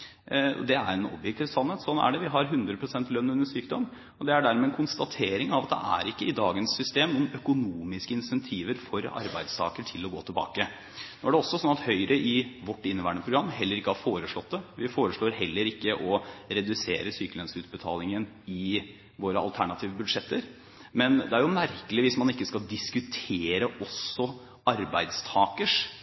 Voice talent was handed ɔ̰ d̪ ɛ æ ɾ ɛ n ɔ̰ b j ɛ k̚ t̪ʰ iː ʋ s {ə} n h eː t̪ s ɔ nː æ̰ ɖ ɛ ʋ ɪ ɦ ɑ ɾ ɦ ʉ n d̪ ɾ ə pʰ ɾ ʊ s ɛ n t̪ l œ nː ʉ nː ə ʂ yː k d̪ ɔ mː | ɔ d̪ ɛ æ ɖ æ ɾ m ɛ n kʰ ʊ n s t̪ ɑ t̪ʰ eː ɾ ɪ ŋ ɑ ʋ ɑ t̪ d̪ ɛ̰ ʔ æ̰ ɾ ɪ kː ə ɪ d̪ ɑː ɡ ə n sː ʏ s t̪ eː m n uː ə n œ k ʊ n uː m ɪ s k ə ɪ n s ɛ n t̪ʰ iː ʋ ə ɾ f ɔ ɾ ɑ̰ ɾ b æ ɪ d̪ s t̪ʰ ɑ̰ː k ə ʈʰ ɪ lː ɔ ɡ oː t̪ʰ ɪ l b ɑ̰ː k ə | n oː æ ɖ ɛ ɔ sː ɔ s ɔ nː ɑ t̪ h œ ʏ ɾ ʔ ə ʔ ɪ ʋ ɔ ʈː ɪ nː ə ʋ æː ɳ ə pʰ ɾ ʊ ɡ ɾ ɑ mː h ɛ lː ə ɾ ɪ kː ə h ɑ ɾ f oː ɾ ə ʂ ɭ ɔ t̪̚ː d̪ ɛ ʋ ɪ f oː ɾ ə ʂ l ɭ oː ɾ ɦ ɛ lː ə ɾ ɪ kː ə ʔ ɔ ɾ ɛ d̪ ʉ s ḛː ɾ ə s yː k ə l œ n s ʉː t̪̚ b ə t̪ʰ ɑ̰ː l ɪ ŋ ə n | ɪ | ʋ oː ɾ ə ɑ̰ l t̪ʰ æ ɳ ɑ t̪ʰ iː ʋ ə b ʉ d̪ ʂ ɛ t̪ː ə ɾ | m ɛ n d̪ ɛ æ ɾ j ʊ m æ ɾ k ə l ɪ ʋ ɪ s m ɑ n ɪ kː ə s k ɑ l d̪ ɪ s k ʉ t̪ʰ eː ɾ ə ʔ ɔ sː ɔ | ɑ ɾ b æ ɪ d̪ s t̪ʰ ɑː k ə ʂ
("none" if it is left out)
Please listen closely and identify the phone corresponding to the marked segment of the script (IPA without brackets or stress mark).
ɑ